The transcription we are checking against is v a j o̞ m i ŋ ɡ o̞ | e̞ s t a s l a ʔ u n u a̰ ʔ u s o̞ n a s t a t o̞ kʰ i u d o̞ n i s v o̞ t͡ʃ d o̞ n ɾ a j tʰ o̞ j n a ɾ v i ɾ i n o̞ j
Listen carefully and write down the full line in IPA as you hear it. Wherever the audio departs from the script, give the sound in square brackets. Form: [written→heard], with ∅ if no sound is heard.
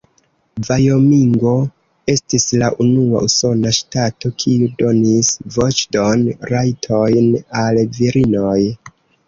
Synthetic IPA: v a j o̞ m i ŋ ɡ o̞ | e̞ s t [a→i] s l a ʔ u n u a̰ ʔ u s o̞ n a [s→ʃ] t a t o̞ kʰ i u d o̞ n i s v o̞ t͡ʃ d o̞ n ɾ a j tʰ o̞ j n a [ɾ→l] v i ɾ i n o̞ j